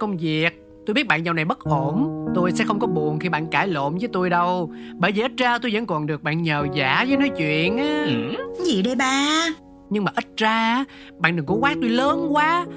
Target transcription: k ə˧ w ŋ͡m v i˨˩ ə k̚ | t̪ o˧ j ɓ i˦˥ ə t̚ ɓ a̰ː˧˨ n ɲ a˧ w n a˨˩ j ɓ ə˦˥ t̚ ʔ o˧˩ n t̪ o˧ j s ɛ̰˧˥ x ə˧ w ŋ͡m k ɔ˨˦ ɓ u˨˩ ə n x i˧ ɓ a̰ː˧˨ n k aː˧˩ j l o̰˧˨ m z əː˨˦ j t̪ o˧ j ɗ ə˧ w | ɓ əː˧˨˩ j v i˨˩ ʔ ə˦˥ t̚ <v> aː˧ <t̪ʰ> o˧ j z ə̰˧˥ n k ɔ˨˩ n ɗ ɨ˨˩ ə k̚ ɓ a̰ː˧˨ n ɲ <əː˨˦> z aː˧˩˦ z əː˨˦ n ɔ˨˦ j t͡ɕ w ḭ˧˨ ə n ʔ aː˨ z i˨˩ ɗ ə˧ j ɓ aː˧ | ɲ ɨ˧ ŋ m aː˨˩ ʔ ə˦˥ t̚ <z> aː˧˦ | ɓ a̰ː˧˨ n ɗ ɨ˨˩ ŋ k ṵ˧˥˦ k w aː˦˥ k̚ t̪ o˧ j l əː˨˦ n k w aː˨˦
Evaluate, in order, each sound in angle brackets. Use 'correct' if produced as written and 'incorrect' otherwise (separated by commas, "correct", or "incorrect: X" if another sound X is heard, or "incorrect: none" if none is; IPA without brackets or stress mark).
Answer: incorrect: z, incorrect: t̪, incorrect: əː˨˩, correct